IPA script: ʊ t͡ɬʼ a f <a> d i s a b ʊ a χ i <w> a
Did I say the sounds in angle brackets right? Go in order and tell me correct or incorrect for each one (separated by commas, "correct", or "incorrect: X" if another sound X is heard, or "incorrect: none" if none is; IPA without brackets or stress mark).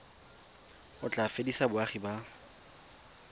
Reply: incorrect: e, incorrect: b